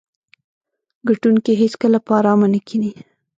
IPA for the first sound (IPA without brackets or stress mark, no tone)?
ɡ